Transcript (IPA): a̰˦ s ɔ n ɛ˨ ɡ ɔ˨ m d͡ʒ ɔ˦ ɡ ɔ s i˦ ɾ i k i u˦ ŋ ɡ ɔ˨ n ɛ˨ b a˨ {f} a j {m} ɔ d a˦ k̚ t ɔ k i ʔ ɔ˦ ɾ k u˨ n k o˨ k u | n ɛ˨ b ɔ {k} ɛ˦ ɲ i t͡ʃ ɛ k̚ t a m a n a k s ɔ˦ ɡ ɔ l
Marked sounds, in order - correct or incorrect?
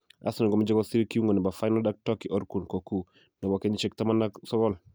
correct, incorrect: n, correct

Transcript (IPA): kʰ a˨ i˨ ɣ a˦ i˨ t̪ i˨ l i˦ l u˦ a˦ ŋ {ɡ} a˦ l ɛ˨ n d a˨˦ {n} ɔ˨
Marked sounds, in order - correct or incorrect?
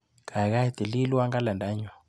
correct, incorrect: ɲ

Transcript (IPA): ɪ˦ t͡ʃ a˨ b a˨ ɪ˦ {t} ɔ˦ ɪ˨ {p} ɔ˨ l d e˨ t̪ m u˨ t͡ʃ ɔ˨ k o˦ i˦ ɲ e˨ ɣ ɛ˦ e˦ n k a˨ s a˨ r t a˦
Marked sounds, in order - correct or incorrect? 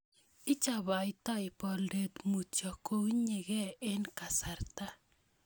correct, correct

